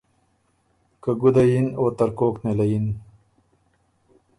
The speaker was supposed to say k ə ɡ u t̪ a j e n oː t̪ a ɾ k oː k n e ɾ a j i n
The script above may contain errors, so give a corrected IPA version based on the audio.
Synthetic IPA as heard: k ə ɡ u d̪ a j i n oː t̪ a ɾ k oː k n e l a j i n